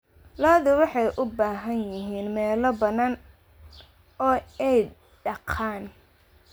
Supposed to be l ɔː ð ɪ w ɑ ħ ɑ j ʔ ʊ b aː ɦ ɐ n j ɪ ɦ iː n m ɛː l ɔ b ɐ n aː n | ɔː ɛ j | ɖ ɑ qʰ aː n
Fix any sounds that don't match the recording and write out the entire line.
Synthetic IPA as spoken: l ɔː ð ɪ w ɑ ħ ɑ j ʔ ʊ b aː ɦ ɐ n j ɪ ɦ iː n m ɛː l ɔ b ɐ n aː n | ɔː ɛ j | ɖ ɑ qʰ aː n

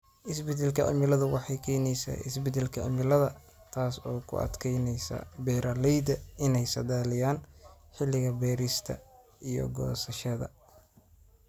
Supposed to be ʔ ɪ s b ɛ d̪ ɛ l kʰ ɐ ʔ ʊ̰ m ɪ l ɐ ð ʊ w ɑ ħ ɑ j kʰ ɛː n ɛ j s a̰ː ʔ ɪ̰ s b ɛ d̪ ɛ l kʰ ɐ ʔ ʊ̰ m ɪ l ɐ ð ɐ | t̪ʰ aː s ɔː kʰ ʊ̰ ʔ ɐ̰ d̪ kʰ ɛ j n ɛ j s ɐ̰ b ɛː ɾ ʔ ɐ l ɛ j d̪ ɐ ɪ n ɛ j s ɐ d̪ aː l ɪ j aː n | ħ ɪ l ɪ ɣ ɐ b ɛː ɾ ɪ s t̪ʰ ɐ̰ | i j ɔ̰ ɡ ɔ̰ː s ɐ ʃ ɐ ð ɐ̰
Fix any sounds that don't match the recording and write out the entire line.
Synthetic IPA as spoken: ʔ ɪ s b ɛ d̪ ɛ l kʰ ɐ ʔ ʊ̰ m ɪ l ɐ ð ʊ w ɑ ħ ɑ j kʰ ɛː n ɛ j s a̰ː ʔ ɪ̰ s b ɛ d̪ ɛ l kʰ ɐ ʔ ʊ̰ m ɪ l ɐ ð ɐ | t̪ʰ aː s ɔː kʰ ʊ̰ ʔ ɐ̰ d̪ kʰ ɛ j n ɛ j s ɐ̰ b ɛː ɾ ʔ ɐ l ɛ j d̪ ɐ ɪ n ɛ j s ɐ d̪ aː l ɪ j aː n | ħ ɪ l ɪ ɣ ɐ b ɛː ɾ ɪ s t̪ʰ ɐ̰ | i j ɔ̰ ɡ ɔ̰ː s ɐ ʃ ɐ ð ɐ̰

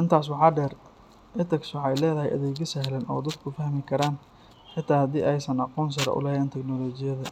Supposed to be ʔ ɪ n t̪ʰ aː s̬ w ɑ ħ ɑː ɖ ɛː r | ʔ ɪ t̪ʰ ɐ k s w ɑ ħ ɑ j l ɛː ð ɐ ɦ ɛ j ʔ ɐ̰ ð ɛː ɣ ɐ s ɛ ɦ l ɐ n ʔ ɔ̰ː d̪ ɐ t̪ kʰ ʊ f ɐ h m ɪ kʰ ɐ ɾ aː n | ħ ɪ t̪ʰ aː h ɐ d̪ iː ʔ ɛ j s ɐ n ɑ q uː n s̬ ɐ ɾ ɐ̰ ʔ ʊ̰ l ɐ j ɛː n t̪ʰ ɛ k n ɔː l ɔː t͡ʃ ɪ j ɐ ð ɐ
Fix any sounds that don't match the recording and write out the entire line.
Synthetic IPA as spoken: ʔ ɪ n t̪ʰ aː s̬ w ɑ ħ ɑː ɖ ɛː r | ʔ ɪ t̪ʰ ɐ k s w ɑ ħ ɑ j l ɛː ð ɐ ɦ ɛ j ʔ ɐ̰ ð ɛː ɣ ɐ s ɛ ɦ l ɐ n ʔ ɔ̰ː d̪ ɐ d̪ kʰ ʊ f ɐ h m ɪ kʰ ɐ ɾ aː n | ħ ɪ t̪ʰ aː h ɐ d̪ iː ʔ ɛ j s ɐ n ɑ q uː n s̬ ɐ ɾ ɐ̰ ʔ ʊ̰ l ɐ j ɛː n t̪ʰ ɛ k n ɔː l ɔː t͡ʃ ɪ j ɐ ð ɐ

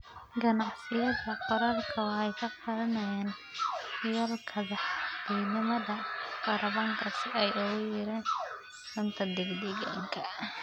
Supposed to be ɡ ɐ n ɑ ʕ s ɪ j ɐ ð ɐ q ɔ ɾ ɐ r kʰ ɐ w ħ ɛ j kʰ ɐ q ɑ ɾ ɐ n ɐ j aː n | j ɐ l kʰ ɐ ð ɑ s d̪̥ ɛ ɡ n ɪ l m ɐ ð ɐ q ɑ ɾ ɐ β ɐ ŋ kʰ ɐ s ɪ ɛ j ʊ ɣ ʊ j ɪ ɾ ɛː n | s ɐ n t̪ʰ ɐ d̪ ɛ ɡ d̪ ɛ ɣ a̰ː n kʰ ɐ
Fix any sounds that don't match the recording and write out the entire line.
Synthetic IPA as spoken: ɡ ɐ n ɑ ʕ s ɪ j ɐ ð ɐ q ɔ ɾ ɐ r kʰ ɐ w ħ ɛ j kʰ ɐ q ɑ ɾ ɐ n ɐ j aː n | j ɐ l kʰ ɐ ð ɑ ħ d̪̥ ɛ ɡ n ɪ m ɐ ð ɐ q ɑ ɾ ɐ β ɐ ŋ kʰ ɐ s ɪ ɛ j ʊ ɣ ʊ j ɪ ɾ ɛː n | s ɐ n t̪ʰ ɐ d̪ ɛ ɡ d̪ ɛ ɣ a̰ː ŋ kʰ ɐ

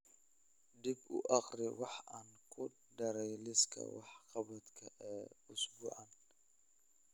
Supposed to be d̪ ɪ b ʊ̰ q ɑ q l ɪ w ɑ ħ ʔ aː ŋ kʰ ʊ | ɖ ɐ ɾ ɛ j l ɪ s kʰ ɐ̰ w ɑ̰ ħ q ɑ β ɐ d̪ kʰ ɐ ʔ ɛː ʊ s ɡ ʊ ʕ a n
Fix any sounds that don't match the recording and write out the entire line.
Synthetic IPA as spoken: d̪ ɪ b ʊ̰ ʔ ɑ q r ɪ w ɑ ħ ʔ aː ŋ kʰ ʊ | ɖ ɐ ɾ ɛ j l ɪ s kʰ ɐ̰ w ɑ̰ ħ q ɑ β ɐ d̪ kʰ ɐ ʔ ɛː ʊ s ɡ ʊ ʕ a n

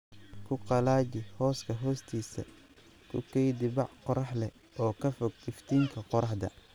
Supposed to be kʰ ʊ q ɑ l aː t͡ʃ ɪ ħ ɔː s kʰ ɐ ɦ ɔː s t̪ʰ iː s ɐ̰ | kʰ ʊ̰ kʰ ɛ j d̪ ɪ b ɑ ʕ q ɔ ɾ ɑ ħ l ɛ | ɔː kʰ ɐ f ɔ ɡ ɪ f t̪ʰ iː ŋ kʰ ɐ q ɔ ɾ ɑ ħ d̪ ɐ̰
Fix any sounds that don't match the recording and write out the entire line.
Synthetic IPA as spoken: kʰ ʊ q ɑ l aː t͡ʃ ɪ h ɔː s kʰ ɐ ɦ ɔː s t̪ʰ iː s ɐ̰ | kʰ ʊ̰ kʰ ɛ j d̪ ɪ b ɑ ʕ q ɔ ɾ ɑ ħ l ɛ | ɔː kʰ ɐ f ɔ ɡ ɪ f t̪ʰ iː ŋ kʰ ɐ q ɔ ɾ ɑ ħ d̪ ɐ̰

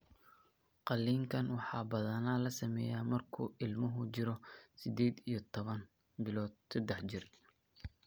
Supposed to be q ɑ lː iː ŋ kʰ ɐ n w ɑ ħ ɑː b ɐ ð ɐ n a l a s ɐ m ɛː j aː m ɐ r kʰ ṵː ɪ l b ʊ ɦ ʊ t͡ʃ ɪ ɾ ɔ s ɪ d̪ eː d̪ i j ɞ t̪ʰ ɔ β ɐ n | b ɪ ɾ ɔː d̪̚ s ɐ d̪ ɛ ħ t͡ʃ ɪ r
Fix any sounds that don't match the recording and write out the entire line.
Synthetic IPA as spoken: q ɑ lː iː ŋ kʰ ɐ n w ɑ ħ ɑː b ɐ ð ɐ n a l ɐ s ɐ m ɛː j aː m ɐ r kʰ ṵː ɪ l m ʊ ɦ ʊ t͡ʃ ɪ ɾ ɔ s ɪ d̪ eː d̪ i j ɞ t̪ʰ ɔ β ɐ n | b ɪ l ɔː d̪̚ s ɐ d̪ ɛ ħ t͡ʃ ɪ r

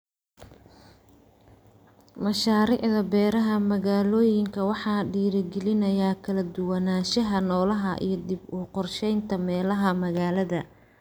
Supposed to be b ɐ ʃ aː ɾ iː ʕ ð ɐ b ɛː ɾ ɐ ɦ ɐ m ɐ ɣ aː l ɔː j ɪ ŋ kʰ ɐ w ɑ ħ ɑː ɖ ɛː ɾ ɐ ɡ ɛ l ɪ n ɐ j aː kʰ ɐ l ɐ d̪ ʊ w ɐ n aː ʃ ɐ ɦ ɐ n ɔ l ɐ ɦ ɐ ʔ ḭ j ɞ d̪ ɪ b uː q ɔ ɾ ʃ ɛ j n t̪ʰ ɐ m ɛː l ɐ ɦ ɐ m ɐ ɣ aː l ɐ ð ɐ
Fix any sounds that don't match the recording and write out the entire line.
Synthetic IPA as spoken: m ɐ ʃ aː ɾ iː ʕ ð ɐ b ɛː ɾ ɐ ɦ ɐ m ɐ ɣ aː l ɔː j ɪ ŋ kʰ ɐ w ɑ ħ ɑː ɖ iː ɾ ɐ ɡ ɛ l ɪ n ɐ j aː kʰ ɐ l ɐ d̪ ʊ w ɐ n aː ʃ ɐ ɦ ɐ n ɔː l ɐ ɦ ɐ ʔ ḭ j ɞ d̪ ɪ b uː q ɔ r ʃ ɛ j n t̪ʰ ɐ m ɛː l ɐ ɦ ɐ m ɐ ɣ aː l ɐ ð ɐ

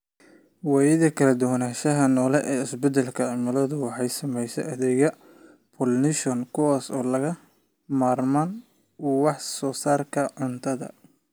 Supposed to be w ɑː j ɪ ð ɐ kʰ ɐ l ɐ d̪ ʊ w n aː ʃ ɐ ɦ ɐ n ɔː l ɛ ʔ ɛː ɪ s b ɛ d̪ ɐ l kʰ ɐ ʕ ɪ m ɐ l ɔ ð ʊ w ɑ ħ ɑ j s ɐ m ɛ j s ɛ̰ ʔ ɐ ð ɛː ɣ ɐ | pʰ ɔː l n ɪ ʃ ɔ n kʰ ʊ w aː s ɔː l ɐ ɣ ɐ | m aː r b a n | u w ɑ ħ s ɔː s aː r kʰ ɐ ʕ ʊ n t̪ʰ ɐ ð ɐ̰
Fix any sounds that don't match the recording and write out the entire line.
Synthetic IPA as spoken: w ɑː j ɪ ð ɐ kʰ ɐ l ɐ d̪ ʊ w n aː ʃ ɐ ɦ ɐ n ɔː l ɛ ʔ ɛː ɪ s b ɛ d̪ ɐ l kʰ ɐ ʕ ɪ m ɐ l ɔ ð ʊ w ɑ ħ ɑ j s ɐ m ɛ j s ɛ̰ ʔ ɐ ð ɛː ɣ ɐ | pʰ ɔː l n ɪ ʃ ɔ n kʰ ʊ w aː s ɔː l ɐ ɣ ɐ | m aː r m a n | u w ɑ ħ s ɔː s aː r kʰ ɐ ʕ ʊ n t̪ʰ ɐ ð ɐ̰

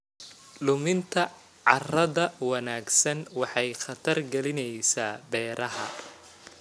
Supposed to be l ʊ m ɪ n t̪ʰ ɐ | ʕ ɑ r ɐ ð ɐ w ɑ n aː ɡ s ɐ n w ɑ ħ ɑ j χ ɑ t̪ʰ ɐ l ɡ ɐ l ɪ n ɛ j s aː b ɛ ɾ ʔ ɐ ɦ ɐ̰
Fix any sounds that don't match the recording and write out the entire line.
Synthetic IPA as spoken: l ʊ m ɪ n t̪ʰ ɐ | ʕ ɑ r ɐ ð ɐ w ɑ n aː ɡ s ɐ n w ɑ ħ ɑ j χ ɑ t̪ʰ ɐ r ɡ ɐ l ɪ n ɛ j s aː b ɛː ɾ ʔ ɐ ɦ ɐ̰

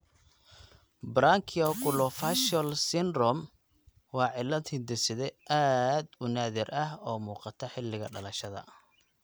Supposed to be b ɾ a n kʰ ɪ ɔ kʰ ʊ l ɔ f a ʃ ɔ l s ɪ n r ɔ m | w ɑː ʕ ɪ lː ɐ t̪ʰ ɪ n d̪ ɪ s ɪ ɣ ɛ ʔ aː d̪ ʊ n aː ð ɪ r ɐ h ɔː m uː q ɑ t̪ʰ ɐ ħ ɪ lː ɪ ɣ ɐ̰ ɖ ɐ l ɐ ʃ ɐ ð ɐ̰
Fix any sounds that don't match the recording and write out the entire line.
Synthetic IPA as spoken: b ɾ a ŋ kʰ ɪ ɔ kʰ ʊ l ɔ f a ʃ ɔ l s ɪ n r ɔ m | w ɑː ʕ ɪ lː ɐ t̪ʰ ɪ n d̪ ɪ s ɪ ð ɛ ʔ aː d̪ ʊ n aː ð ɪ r ɐ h ɔː m uː q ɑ t̪ʰ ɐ ħ ɪ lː ɪ ɣ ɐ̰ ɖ ɐ l ɐ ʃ ɐ ð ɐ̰

